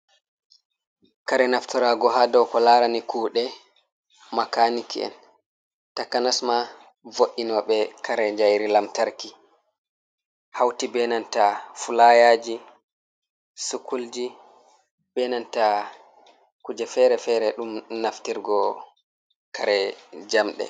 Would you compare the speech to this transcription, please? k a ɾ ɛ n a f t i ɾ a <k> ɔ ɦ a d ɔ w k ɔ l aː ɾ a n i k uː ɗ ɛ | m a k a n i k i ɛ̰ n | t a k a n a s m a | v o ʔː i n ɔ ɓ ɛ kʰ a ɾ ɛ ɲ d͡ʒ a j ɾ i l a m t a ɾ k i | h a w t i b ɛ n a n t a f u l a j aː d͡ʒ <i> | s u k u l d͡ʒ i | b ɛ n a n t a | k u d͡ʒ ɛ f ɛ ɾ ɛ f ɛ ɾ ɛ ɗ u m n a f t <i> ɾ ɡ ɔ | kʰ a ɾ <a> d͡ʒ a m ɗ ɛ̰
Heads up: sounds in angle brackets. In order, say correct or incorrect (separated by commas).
incorrect, correct, correct, incorrect